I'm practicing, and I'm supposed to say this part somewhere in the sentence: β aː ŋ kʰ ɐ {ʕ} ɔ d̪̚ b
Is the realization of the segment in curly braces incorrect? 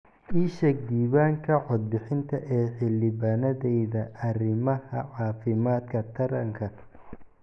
no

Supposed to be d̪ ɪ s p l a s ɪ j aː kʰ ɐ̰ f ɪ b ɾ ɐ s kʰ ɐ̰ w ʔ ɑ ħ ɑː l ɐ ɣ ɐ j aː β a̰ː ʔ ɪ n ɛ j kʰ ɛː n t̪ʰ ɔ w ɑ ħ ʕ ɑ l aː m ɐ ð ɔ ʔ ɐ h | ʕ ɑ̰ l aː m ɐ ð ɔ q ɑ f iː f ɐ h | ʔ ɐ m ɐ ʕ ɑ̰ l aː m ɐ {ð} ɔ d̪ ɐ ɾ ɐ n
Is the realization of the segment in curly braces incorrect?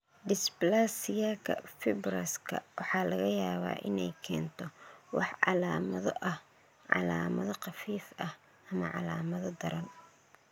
no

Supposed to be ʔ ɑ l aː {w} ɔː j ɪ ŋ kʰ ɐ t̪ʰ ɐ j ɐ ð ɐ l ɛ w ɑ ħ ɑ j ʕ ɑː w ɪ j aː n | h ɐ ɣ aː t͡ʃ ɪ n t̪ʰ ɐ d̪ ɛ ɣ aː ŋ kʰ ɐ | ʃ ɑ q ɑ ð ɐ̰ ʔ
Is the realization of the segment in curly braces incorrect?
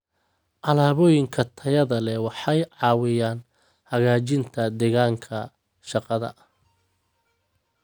yes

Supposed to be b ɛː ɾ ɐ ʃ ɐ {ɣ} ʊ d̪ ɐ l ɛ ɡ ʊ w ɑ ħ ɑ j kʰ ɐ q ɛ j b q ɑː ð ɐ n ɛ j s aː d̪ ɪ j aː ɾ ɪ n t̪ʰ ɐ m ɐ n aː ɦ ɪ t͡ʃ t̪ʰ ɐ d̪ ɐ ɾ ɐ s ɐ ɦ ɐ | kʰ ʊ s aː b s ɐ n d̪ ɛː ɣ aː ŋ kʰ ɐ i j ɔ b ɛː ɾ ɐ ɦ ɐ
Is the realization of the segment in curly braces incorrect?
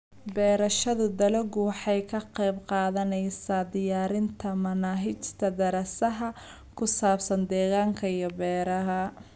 yes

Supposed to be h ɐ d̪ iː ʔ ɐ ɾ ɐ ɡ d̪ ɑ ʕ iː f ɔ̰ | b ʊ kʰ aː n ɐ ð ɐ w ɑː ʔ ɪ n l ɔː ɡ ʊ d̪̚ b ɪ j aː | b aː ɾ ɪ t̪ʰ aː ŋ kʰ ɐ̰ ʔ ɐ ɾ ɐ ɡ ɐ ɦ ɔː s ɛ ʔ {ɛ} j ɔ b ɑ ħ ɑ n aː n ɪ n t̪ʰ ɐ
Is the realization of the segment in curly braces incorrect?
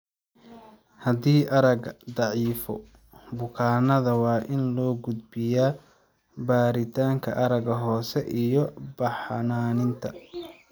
yes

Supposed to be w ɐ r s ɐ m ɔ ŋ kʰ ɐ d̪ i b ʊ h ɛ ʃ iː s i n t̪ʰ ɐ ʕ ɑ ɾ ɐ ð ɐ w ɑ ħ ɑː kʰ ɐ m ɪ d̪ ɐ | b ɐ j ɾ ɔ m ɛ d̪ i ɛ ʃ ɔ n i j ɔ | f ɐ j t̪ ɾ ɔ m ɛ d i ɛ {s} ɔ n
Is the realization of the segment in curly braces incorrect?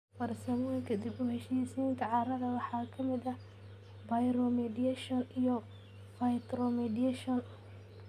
yes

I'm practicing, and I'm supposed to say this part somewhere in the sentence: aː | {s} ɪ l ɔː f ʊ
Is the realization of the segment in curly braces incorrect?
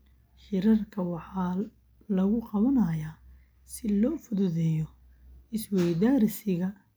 no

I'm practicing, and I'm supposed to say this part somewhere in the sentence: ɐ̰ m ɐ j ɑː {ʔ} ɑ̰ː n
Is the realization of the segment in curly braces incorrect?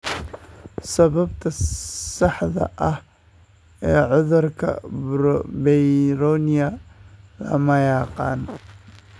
yes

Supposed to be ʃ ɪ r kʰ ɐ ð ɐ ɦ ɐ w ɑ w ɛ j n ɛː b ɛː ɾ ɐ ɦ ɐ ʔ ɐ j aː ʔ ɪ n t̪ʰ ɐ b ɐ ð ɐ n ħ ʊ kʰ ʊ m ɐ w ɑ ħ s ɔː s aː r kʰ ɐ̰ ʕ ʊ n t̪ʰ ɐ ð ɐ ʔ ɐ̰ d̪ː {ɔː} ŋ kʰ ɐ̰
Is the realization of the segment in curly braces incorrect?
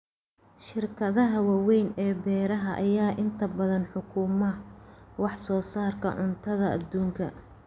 yes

